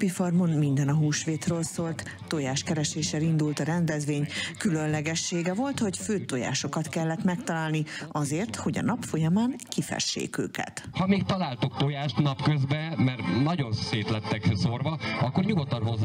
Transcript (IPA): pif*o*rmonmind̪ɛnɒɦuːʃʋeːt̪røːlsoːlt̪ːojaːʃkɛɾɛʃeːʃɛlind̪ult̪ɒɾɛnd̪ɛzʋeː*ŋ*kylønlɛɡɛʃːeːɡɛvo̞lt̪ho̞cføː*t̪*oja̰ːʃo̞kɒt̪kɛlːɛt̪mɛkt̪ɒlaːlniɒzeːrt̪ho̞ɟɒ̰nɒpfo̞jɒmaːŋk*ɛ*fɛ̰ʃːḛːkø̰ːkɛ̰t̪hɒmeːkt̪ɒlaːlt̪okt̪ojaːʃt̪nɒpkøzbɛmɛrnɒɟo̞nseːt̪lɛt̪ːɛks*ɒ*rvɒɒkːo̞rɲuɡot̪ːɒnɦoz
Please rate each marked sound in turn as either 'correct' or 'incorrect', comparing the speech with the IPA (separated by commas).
incorrect, incorrect, correct, incorrect, incorrect